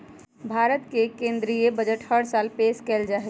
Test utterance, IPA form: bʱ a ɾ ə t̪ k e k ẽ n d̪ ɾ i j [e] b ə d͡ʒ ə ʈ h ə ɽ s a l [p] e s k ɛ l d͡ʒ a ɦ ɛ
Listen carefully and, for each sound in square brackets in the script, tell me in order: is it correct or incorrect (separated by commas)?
correct, correct